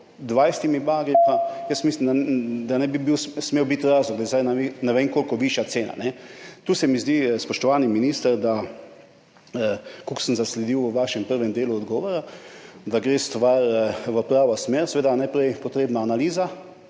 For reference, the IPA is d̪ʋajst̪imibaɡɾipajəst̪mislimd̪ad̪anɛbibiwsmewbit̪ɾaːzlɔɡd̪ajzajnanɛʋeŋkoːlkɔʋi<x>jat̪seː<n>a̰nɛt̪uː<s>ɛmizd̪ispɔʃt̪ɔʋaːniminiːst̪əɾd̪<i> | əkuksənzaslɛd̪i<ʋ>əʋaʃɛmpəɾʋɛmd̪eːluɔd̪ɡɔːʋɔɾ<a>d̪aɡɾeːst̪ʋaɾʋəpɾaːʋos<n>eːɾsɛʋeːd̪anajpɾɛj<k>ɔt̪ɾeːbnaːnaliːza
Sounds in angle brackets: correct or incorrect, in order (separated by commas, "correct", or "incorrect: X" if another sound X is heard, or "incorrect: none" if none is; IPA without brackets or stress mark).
incorrect: ʃ, correct, correct, incorrect: a, incorrect: w, correct, incorrect: m, incorrect: p